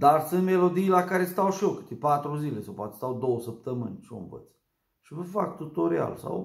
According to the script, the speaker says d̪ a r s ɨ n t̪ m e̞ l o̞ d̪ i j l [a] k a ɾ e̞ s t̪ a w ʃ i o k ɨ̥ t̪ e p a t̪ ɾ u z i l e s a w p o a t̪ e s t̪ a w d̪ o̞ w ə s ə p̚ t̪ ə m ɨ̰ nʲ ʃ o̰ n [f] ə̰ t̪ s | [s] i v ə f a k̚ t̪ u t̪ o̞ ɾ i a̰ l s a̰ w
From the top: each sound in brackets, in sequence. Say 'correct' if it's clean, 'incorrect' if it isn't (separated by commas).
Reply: correct, incorrect, incorrect